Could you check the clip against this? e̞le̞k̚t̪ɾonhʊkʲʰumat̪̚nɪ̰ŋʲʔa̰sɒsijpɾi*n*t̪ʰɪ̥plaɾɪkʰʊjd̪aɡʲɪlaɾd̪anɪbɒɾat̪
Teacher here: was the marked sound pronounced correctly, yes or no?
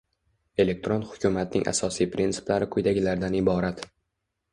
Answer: yes